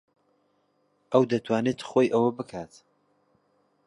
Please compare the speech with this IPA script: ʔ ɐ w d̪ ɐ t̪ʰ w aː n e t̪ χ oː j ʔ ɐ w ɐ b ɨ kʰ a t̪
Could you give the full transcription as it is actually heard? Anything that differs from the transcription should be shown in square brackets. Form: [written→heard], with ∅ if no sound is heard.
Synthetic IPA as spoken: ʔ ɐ w d̪ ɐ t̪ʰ w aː n e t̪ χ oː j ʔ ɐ w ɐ b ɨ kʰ a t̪